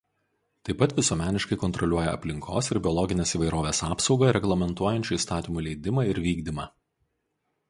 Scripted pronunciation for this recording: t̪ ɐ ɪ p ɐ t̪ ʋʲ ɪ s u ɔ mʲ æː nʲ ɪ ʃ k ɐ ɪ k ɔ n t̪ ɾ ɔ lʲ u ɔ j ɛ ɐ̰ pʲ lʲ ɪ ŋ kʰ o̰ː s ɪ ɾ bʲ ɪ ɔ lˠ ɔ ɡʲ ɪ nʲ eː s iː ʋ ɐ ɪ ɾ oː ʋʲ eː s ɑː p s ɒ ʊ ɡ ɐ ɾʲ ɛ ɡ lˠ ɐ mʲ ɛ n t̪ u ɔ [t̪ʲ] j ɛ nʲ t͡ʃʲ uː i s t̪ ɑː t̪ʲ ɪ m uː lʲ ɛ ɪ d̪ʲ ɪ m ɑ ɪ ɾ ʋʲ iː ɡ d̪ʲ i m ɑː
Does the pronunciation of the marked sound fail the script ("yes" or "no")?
yes